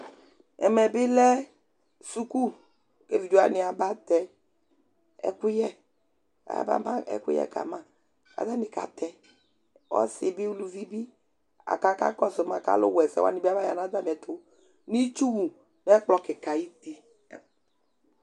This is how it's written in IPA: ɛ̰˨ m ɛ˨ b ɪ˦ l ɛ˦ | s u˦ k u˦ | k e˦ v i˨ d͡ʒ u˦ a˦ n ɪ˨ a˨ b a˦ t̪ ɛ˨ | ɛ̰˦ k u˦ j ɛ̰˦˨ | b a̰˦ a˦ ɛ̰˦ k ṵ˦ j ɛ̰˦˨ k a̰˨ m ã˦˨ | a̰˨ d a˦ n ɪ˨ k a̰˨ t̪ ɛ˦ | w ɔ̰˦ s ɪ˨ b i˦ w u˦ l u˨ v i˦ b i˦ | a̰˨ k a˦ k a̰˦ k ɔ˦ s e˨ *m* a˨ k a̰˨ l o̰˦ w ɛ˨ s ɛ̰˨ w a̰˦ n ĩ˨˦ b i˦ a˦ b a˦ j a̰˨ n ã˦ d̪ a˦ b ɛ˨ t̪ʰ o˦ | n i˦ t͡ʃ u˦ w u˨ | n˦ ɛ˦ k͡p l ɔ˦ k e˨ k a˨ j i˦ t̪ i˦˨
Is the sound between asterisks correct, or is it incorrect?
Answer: correct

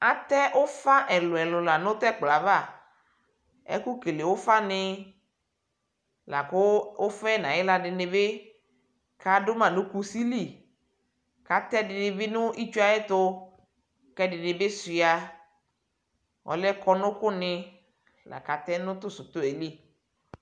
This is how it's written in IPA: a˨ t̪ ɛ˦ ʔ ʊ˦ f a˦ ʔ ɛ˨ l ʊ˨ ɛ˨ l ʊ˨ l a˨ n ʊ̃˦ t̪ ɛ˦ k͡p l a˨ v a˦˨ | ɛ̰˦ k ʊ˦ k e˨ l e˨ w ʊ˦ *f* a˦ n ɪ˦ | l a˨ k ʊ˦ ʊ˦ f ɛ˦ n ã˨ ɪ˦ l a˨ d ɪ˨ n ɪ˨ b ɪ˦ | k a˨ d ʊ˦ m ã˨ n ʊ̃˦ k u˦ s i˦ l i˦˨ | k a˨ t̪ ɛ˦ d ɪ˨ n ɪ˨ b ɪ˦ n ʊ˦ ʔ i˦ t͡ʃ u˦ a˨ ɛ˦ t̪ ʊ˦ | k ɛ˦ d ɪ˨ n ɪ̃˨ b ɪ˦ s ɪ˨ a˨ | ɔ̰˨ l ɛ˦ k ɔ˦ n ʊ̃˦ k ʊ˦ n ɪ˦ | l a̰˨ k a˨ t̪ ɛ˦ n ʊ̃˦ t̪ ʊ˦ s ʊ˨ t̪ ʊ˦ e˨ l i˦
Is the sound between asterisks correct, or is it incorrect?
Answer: correct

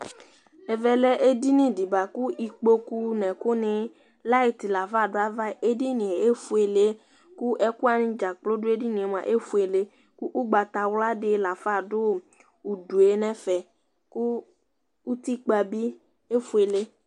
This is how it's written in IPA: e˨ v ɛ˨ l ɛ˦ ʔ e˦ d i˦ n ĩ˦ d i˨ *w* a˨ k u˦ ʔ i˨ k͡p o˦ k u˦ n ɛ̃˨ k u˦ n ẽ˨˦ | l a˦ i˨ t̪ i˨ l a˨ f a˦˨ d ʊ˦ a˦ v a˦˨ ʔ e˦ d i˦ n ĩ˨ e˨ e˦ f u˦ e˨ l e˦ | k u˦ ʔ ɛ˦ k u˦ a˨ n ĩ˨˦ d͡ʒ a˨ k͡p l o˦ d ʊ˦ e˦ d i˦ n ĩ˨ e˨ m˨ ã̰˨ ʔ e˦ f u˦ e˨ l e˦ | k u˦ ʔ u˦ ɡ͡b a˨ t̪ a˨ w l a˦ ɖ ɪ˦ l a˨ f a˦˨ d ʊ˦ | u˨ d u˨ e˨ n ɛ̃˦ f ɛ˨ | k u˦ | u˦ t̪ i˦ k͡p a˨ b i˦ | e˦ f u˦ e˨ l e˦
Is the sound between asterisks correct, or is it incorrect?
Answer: incorrect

